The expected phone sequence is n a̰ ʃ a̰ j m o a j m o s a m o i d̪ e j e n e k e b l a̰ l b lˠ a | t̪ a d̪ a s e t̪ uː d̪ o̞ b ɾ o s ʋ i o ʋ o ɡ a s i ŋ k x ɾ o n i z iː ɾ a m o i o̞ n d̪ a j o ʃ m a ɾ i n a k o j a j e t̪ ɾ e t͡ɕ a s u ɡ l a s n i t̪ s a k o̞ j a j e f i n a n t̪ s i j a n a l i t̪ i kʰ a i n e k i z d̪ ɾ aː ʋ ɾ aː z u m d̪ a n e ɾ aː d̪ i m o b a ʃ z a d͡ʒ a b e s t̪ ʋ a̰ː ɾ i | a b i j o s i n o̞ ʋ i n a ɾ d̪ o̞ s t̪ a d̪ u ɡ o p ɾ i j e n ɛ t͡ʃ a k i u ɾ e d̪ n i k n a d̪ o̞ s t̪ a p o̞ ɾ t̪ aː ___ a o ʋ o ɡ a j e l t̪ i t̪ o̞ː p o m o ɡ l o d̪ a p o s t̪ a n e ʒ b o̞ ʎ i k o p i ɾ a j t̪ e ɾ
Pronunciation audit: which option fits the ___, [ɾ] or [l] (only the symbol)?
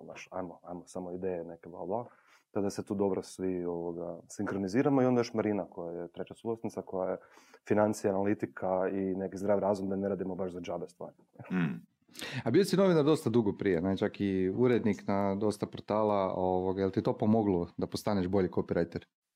l